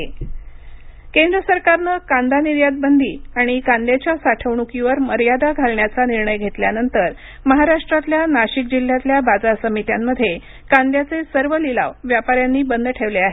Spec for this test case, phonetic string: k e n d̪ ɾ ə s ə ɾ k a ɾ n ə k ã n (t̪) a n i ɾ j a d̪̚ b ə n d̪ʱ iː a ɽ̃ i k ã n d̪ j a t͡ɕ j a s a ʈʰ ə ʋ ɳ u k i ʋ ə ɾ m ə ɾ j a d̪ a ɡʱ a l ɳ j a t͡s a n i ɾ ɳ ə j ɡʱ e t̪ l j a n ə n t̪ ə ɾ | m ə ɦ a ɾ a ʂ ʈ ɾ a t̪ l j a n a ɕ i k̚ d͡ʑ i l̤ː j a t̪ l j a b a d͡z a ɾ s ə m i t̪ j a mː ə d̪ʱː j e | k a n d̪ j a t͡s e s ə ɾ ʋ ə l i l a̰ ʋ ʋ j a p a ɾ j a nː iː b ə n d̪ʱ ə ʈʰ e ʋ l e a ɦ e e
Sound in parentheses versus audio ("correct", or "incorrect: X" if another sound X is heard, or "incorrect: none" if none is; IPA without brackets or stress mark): incorrect: d̪